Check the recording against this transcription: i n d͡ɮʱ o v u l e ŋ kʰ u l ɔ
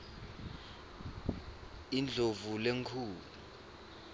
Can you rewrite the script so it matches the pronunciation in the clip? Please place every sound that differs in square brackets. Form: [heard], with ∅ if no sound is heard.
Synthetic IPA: i n d͡ɮʱ o v u l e ŋ kʰ [uː] l [u]